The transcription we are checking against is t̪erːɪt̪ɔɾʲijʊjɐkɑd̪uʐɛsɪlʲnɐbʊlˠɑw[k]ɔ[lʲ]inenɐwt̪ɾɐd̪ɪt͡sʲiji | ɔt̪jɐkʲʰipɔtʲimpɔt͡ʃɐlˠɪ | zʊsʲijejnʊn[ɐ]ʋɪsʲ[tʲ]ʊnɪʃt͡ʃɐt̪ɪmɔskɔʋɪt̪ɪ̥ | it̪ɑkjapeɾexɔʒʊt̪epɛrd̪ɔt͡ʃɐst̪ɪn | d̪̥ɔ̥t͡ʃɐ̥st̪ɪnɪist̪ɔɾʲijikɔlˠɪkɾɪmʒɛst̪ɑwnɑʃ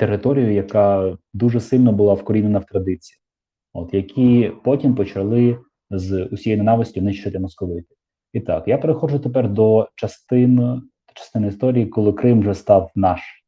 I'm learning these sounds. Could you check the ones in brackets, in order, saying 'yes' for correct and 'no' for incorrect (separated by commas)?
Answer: yes, no, no, yes